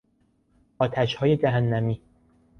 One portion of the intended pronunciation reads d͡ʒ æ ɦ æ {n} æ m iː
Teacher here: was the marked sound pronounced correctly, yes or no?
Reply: no